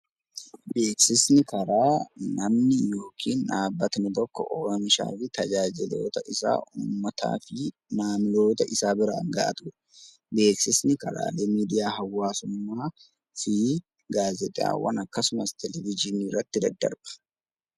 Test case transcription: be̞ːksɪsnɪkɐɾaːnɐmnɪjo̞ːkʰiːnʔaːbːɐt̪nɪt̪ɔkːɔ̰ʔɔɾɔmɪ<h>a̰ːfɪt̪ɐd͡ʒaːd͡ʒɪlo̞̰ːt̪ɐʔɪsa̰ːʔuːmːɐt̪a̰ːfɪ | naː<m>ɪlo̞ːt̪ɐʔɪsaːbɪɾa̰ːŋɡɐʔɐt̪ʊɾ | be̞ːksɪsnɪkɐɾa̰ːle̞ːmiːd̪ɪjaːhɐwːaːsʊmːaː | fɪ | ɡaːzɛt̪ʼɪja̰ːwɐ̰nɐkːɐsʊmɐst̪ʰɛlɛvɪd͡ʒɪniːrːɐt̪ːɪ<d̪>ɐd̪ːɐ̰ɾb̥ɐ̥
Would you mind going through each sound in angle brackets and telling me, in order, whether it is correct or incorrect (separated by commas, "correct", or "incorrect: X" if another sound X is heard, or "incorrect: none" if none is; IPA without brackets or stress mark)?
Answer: incorrect: ʃ, correct, correct